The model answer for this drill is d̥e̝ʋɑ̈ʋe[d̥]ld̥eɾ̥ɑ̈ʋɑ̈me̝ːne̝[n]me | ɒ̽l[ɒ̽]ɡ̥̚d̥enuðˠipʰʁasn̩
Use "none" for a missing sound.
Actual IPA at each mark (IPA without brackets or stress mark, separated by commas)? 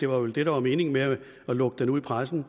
none, ŋ, ɔ̽